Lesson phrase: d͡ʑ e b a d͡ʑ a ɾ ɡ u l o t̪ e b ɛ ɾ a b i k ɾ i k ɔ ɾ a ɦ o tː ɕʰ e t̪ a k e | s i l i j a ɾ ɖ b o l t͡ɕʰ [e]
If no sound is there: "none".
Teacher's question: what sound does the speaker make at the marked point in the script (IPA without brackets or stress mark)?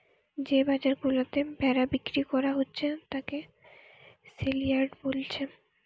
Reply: e